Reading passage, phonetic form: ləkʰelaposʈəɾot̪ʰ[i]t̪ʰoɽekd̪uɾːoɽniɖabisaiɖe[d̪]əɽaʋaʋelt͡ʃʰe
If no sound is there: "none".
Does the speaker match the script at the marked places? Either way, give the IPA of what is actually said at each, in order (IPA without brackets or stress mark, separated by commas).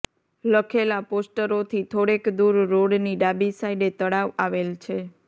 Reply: i, t̪